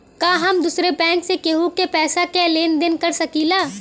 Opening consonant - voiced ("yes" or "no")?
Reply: no